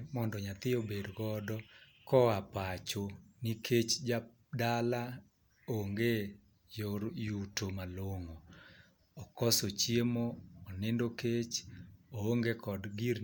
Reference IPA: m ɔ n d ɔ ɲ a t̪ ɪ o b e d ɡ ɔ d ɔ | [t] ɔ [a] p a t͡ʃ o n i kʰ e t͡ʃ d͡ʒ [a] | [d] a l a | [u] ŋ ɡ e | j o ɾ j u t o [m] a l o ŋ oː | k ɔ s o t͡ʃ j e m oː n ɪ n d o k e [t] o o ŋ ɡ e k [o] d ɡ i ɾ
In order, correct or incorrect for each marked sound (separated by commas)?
incorrect, correct, correct, correct, incorrect, correct, incorrect, incorrect